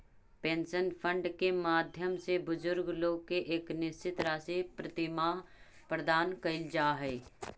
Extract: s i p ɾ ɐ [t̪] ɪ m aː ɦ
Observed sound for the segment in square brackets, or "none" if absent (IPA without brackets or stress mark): t̪